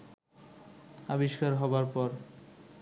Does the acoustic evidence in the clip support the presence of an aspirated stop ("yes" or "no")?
no